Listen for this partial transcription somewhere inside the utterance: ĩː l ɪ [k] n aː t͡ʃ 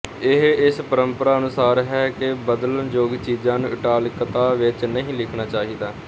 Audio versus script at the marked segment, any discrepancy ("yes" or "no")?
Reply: yes